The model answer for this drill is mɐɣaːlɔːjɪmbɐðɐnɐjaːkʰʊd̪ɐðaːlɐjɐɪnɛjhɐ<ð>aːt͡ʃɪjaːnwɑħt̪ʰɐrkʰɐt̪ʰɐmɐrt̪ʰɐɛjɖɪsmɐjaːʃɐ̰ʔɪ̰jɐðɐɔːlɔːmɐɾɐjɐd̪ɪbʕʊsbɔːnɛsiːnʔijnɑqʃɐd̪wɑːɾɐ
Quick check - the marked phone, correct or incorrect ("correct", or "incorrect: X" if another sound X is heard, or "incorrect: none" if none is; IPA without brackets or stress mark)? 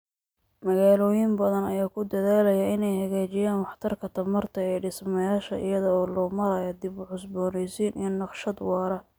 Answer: incorrect: ɣ